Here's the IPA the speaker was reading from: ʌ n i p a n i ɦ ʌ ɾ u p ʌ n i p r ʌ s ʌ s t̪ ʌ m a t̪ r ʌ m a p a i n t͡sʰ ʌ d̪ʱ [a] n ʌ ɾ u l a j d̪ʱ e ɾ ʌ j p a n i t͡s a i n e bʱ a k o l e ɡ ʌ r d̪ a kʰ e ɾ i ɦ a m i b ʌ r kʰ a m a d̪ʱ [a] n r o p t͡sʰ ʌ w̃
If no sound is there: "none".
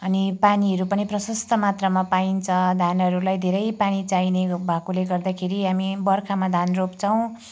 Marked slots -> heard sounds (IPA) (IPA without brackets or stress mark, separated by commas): a, a